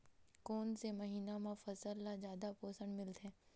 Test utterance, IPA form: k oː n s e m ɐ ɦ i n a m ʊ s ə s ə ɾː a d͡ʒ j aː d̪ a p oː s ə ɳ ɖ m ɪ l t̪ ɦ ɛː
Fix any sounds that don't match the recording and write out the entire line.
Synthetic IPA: k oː n s e m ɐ ɦ iː n a m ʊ f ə s ə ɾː a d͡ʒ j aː d̪ a p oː s ə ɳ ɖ m ɪ l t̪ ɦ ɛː